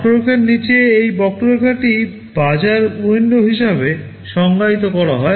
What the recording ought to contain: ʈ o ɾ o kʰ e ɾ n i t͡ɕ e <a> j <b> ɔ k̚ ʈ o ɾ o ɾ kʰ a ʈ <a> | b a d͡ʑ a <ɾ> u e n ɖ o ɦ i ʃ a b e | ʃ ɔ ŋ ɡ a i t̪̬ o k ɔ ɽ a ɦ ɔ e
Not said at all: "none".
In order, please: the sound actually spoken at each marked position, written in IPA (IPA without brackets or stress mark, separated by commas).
e, b, i, ɾ